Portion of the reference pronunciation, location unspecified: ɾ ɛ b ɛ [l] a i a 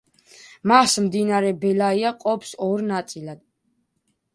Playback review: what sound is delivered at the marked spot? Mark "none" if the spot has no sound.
l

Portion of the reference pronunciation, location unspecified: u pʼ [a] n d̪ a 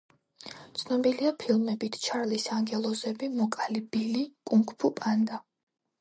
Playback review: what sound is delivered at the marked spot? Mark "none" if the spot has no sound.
a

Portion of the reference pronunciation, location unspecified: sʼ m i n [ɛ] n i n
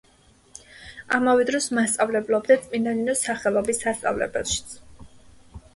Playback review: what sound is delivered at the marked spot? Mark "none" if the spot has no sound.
a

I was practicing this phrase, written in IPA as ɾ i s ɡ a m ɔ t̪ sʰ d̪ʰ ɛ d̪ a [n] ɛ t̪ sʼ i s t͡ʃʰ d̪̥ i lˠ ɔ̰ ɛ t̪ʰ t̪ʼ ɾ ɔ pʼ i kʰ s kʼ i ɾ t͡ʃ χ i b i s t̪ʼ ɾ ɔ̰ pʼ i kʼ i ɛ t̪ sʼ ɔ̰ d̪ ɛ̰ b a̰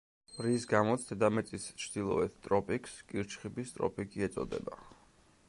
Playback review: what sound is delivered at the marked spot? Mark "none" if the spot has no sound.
m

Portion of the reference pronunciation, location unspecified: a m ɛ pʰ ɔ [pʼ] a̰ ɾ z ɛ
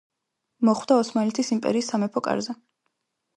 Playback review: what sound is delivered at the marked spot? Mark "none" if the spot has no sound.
kʼ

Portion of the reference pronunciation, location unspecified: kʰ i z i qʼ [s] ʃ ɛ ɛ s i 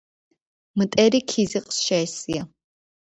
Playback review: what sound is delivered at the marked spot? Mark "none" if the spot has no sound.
s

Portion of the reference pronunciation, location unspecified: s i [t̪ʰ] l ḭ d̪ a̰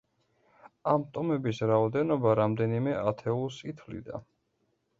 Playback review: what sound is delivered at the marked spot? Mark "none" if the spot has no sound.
t̪ʰ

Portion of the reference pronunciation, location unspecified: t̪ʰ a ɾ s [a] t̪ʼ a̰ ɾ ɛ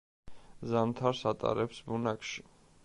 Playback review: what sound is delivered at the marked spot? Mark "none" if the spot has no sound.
a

